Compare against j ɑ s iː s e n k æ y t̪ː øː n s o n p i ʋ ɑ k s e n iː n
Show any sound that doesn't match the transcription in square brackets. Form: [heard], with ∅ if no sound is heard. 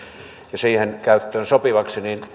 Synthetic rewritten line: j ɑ s iː [h] e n k æ y t̪ː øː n s o [∅] p i ʋ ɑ k s [i] n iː n

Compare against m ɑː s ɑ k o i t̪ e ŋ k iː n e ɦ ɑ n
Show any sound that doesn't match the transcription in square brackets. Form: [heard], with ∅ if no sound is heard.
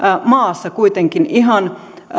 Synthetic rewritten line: m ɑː [sː] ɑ k [u] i t̪ e ŋ k [i] n [i] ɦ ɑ n

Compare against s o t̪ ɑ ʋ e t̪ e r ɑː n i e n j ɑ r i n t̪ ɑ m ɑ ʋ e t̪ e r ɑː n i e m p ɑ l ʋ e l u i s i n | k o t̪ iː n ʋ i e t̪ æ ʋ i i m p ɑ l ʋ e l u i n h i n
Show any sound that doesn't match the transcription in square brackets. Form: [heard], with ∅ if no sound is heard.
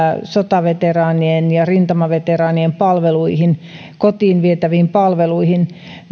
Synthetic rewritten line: s o t̪ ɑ ʋ e t̪ e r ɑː n i e n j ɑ r i n t̪ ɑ m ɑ ʋ e t̪ e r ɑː n i e m p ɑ l ʋ e l u i [h] i n | k o t̪ iː n ʋ i e t̪ æ ʋ i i m p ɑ l ʋ e l u i [∅] h i n

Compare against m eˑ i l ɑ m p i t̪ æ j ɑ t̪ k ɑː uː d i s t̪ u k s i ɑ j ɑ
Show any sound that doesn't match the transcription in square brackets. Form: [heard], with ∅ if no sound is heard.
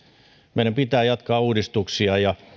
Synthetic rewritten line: m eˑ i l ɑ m p i t̪ [æː] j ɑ t̪ k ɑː uː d i s t̪ u k s i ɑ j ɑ

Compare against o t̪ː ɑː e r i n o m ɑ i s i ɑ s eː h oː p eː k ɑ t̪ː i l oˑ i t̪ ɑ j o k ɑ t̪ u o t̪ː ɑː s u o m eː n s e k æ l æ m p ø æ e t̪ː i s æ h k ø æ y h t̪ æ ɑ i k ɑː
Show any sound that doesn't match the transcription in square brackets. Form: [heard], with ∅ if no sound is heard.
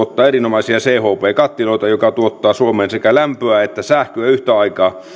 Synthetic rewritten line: o t̪ː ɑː e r i n o m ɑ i s i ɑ s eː h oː p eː k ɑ t̪ː i l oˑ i t̪ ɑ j o k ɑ t̪ u o t̪ː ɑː s u o m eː n s e k æ l æ m p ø æ e t̪ː [æ] s æ h k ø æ y h t̪ æ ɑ i k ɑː

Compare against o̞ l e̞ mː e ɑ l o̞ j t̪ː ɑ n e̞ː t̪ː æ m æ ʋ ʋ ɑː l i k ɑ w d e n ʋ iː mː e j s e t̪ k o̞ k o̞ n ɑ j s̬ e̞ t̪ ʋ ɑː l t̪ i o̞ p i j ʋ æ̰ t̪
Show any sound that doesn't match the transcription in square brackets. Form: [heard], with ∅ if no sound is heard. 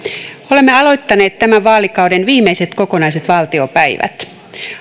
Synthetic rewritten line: o̞ l e̞ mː e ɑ l o̞ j t̪ː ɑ n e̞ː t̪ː æ m æ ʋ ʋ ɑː l i k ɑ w d e n ʋ iː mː e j s e t̪ k o̞ k o̞ n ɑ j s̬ e̞ t̪ ʋ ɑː l t̪ i o̞ p [æ] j ʋ æ̰ t̪

